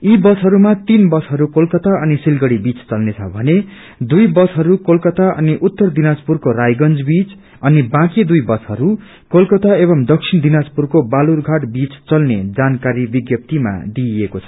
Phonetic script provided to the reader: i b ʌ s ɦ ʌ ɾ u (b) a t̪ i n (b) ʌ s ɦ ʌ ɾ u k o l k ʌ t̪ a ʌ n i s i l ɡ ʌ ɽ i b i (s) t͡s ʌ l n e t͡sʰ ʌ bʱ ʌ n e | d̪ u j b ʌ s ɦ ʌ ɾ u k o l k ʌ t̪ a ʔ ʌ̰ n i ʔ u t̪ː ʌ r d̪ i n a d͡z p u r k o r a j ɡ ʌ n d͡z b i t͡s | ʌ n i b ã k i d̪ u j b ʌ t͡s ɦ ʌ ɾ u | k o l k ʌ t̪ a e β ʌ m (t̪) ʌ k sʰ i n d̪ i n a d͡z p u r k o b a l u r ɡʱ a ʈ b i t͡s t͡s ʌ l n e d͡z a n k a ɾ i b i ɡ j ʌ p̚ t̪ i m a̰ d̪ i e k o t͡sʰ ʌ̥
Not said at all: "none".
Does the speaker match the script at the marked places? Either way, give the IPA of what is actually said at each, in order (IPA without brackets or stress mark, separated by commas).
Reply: m, b, t͡s, d̪